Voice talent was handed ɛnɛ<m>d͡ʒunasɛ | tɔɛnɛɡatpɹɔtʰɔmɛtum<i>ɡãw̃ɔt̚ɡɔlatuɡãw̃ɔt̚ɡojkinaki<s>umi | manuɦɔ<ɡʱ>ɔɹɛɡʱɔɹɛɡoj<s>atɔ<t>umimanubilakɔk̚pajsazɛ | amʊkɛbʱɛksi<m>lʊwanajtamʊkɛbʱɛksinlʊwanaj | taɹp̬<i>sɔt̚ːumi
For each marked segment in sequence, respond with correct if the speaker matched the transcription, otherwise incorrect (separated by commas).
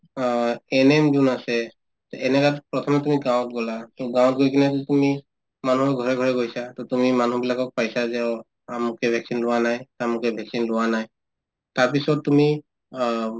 correct, correct, incorrect, correct, correct, correct, incorrect, correct